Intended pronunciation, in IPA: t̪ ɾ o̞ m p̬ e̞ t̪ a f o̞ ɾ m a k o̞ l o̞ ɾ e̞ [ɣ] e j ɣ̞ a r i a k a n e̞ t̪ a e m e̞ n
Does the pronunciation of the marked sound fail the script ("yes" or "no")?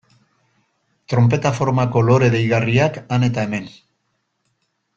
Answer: yes